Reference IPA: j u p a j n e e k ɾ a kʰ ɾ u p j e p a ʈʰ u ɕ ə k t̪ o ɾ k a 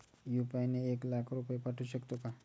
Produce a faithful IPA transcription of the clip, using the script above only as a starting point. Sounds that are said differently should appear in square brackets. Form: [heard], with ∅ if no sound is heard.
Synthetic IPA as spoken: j u p a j n e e k [l] a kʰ ɾ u p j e p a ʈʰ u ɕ ə k t̪ o [∅] k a

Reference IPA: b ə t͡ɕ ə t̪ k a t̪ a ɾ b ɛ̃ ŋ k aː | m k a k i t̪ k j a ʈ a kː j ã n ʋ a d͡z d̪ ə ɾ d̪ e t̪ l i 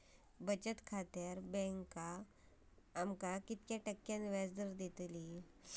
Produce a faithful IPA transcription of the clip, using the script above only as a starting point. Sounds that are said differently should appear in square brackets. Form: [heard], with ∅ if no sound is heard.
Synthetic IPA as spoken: b ə t͡ɕ ə t̪ [kʰ] a t̪ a ɾ b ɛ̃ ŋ k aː | m k a k i t̪ k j a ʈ [ə] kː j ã n ʋ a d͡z d̪ ə ɾ d̪ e t̪ l i

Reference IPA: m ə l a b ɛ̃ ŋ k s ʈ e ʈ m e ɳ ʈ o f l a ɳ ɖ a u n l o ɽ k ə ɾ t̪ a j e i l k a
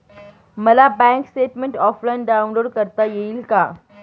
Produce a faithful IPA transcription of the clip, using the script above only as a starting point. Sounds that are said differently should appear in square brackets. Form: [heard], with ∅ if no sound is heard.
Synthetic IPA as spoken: m ə l a b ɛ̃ ŋ k s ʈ e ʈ m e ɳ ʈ [ɔ] f l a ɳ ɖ a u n l o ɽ k ə ɾ t̪ a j e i l k a

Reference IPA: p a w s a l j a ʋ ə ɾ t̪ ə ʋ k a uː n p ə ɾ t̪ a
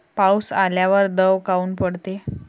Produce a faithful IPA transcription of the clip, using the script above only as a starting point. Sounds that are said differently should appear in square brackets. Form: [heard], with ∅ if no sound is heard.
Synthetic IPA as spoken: p a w s a l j a ʋ ə ɾ [d̪] ə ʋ k a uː n p ə [ɽ] t̪ [e]

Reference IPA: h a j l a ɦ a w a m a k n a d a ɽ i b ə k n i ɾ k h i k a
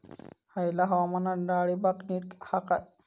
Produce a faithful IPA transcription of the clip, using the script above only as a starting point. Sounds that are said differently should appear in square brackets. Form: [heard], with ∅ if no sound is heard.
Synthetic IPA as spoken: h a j l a ɦ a w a m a [∅] n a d a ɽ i b [a] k n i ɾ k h [a] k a

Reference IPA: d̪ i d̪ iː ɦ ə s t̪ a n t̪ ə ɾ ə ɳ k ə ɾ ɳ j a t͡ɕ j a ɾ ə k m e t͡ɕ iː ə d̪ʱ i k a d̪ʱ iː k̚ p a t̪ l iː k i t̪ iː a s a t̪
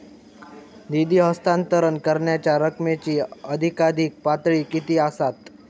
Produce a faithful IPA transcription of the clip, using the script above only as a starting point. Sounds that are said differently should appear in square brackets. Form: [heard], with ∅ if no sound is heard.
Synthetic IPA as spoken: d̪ i d̪ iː ɦ ə s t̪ a n t̪ ə ɾ ə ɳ k ə ɾ ɳ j a t͡ɕ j a ɾ ə k m e t͡ɕ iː ə d̪ʱ i k a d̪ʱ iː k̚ p a t̪ [ɭ] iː k i t̪ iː a s a t̪

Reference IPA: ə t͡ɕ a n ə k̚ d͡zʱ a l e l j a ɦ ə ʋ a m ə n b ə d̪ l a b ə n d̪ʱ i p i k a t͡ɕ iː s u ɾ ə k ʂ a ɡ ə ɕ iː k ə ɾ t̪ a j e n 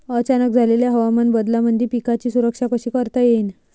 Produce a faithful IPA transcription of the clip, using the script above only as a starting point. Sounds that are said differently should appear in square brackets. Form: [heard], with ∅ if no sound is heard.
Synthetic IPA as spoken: ə t͡ɕ a n ə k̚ d͡zʱ a l e l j a ɦ ə ʋ a m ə n b ə d̪ l a [m] ə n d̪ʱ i p i k a t͡ɕ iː s u ɾ ə k ʂ a [k] ə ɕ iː k ə ɾ t̪ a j e n

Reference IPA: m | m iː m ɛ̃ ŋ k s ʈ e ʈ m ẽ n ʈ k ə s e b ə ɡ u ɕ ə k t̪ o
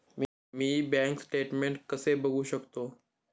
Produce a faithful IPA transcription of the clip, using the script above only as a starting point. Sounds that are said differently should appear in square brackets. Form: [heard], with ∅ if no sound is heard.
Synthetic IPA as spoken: m | m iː [b] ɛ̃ ŋ k s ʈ e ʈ m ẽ [ɳ] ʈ k ə s e b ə ɡ u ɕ ə k t̪ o

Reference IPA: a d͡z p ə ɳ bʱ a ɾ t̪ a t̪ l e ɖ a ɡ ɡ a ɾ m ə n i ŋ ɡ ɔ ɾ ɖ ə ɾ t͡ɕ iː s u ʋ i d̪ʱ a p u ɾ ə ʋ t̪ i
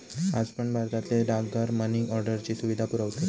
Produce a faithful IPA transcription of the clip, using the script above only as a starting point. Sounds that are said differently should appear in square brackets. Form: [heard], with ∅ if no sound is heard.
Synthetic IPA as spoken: a d͡z p ə ɳ bʱ a ɾ t̪ a t̪ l e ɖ a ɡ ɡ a ɾ m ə n i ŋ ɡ ɔ ɾ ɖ ə ɾ t͡ɕ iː s u ʋ i d̪ʱ a p u ɾ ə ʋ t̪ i

